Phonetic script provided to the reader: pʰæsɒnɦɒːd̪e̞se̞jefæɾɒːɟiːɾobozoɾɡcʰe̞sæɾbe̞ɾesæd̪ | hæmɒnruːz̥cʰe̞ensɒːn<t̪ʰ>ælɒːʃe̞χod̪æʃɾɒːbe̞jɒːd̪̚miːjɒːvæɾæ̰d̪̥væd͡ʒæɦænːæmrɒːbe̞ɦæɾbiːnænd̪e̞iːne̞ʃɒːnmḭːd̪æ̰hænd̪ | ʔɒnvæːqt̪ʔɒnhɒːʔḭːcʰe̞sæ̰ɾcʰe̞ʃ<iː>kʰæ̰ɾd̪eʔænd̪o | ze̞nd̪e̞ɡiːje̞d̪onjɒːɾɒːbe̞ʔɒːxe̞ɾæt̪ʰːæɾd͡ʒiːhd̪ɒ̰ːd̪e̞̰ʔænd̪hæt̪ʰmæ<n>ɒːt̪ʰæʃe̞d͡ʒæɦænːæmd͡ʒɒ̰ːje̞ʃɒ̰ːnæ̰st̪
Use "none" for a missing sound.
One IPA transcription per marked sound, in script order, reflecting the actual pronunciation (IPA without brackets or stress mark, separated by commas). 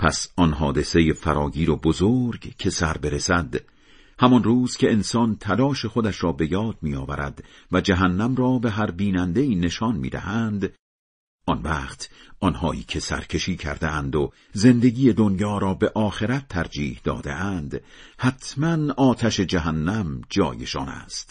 t̪ʰ, iː, n